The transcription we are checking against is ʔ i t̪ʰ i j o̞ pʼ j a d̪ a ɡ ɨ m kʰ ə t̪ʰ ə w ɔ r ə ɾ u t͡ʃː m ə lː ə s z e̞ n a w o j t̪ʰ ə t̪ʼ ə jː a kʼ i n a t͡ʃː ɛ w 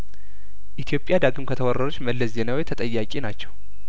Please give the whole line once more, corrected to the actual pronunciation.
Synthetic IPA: ʔ i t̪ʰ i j o̞ pʼ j a d̪ a ɡ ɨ m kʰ ə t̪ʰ ə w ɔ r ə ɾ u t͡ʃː m ə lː ə s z e̞ n a w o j t̪ʰ ə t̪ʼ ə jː a kʼ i n a t͡ʃː ɛ w